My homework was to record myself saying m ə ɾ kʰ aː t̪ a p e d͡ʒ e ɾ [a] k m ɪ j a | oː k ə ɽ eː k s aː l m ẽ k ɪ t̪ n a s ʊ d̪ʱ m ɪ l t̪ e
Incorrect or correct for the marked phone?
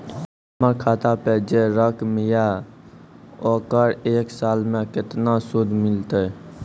incorrect: ə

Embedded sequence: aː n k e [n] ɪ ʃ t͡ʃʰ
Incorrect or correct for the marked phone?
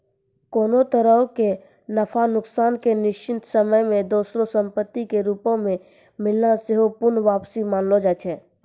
correct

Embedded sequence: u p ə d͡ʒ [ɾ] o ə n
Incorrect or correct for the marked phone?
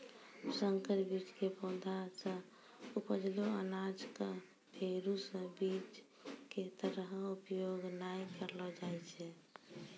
incorrect: l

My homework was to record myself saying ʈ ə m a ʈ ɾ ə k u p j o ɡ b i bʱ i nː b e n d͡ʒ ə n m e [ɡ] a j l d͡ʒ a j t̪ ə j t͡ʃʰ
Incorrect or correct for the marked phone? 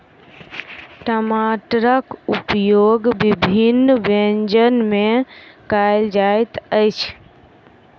incorrect: k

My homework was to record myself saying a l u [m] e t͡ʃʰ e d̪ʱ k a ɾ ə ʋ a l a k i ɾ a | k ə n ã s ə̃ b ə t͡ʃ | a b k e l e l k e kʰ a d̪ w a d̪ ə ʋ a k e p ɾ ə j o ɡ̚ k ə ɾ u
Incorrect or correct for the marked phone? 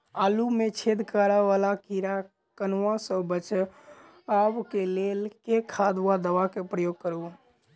correct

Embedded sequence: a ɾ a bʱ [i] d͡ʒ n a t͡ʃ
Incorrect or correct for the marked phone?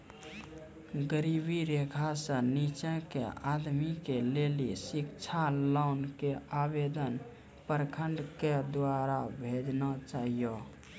incorrect: e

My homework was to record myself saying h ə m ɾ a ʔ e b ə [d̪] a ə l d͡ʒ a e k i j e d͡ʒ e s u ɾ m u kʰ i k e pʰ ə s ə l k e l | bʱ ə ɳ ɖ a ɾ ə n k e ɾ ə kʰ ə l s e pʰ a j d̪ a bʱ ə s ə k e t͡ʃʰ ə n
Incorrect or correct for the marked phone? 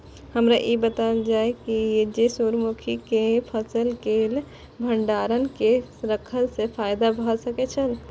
incorrect: t̪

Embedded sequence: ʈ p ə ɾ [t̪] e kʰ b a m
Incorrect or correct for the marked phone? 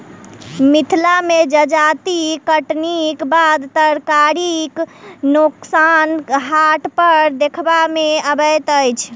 incorrect: d̪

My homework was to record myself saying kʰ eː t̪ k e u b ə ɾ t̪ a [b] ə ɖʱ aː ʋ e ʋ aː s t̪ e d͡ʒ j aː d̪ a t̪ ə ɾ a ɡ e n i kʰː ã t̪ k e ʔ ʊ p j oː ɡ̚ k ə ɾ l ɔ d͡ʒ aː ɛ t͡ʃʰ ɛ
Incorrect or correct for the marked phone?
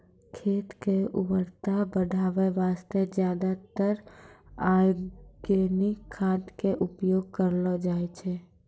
correct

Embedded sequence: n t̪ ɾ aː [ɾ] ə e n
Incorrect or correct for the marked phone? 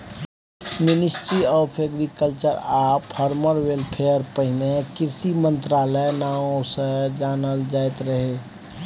incorrect: l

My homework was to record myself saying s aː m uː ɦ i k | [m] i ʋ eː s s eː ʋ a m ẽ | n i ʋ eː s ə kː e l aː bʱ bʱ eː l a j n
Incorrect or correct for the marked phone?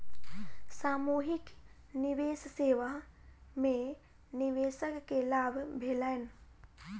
incorrect: n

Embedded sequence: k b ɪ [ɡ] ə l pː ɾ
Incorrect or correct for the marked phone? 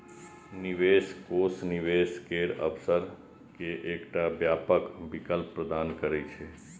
incorrect: k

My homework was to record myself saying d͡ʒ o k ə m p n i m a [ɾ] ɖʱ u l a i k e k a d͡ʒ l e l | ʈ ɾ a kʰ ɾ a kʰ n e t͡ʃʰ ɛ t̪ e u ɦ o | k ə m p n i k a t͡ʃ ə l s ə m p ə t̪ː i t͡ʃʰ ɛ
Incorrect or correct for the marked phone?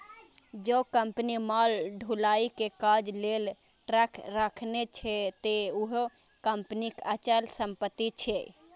incorrect: l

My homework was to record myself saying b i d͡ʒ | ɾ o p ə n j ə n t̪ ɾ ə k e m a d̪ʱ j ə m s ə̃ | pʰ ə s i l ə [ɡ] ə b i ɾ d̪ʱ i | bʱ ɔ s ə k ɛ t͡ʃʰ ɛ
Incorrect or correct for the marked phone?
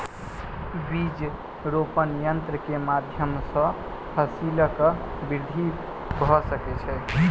incorrect: k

